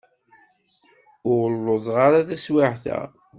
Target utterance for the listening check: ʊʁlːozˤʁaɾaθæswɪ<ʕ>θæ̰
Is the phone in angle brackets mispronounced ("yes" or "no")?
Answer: no